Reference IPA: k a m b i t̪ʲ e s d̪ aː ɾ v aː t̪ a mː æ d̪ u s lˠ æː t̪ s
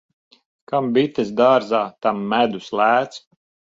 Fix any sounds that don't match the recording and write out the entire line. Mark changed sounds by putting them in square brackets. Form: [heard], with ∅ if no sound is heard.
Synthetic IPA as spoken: k a m b i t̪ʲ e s d̪ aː ɾ [z] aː t̪ a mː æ d̪ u s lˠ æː t̪ s